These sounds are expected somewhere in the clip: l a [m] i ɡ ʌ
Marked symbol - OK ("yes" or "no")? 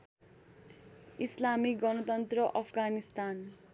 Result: yes